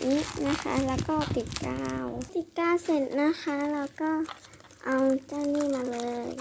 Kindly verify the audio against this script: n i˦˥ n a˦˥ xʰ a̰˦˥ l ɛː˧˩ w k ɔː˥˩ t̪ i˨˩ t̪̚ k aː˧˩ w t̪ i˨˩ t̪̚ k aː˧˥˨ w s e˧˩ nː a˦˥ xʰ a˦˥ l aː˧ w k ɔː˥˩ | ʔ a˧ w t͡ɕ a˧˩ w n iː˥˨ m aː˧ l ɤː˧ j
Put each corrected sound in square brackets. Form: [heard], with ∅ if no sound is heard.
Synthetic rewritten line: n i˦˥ n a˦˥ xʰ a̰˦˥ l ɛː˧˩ w k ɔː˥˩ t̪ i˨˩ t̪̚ k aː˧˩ w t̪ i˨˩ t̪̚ k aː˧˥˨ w s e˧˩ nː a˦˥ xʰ a˦˥ l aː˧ w k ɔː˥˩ | ʔ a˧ w t͡ɕ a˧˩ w n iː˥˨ m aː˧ l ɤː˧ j

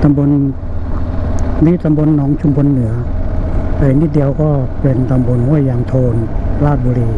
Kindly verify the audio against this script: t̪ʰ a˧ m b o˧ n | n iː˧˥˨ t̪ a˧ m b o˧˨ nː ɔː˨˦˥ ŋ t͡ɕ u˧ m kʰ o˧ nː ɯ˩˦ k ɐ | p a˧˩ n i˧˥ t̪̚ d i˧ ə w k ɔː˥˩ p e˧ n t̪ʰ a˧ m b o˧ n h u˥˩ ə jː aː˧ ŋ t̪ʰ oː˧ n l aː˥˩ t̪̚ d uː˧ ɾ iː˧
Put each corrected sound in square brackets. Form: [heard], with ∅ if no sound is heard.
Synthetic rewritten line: [t̪] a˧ m b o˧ n | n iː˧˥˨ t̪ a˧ m b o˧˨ nː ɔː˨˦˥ ŋ [t͡ɕʰ] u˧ m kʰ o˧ nː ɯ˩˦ [∅] ɐ | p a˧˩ n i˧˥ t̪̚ d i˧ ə w k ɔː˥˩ p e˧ n [t̪] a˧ m b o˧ n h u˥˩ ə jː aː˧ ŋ t̪ʰ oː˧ n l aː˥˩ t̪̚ [b] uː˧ ɾ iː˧

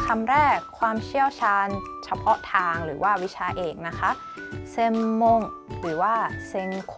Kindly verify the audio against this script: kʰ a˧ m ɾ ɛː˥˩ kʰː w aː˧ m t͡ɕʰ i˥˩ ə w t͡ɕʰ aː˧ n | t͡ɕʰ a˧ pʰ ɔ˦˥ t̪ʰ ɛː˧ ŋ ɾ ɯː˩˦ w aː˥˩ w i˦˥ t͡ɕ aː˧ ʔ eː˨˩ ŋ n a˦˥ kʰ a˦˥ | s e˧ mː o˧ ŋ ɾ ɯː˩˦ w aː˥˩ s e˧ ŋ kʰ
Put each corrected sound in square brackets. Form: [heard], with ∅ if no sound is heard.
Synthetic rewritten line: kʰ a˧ m ɾ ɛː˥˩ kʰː w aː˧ m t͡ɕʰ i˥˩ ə w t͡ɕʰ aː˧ n | t͡ɕʰ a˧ pʰ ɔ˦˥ t̪ʰ [aː˧] ŋ ɾ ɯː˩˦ w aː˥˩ w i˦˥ [t͡ɕʰ] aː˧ ʔ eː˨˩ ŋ n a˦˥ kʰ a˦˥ | s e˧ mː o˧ ŋ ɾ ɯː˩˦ w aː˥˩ s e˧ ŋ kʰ

